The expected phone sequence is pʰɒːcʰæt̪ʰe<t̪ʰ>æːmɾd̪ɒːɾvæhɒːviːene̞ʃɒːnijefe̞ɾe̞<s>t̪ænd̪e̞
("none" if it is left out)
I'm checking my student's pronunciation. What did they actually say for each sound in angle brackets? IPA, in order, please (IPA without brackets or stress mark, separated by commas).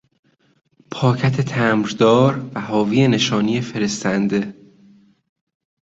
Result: t̪ʰ, s